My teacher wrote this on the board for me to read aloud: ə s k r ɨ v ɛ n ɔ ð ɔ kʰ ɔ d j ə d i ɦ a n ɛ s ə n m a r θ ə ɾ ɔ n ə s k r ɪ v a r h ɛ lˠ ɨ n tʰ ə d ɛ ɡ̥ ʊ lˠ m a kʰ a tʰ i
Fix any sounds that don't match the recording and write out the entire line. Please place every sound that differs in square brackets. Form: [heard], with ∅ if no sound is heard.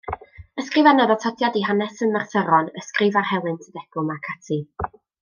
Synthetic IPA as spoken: ə s k r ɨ v [a] n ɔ ð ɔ [tʰ] ɔ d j [a] d i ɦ a n ɛ s ə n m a r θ ə ɾ ɔ n ə s k r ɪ v a r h ɛ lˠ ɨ n tʰ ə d ɛ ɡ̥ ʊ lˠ m a kʰ a tʰ i